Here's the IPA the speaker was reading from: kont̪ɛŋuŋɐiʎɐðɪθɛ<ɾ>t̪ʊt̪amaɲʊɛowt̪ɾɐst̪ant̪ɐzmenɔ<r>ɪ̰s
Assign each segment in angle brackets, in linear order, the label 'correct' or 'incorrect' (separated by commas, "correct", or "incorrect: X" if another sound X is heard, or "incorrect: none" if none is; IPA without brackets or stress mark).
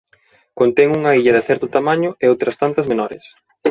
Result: correct, incorrect: ɾ